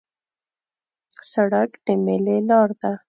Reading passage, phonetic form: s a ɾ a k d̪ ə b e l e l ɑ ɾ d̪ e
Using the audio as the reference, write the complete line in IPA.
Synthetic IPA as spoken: s a ɽ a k d̪ ə m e l e l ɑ ɾ d̪ a